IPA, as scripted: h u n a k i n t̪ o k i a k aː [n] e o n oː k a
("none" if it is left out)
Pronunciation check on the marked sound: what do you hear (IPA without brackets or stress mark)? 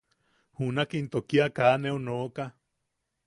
n